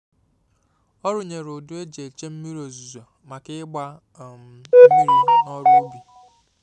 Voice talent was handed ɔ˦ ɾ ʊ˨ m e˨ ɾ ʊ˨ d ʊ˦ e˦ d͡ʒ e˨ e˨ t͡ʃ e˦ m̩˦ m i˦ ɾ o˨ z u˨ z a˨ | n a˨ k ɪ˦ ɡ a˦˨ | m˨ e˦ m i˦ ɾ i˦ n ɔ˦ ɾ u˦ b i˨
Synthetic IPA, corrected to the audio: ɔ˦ ɾ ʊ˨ ɲ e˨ ɾ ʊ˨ d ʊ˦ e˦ d͡ʒ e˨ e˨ t͡ʃ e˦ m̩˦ m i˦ ɾ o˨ z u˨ z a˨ | m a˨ k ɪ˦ ɡ͡b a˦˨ | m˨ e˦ m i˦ ɾ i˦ n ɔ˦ ɾ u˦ b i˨